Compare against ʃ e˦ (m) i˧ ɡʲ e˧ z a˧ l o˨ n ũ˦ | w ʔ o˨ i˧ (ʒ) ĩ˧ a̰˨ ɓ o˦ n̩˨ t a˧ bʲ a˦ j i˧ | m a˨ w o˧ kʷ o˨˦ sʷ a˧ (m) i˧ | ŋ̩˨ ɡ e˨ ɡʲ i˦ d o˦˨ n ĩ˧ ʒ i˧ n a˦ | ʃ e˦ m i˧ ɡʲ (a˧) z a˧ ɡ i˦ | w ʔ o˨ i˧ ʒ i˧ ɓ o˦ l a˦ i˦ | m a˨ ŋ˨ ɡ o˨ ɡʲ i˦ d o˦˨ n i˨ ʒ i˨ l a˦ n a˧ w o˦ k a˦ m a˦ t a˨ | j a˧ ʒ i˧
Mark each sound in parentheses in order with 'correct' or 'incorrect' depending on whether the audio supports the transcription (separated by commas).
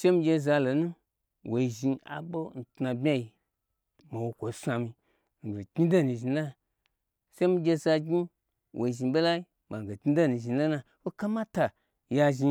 correct, correct, correct, incorrect